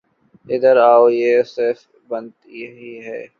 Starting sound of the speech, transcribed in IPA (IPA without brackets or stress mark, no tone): ɪ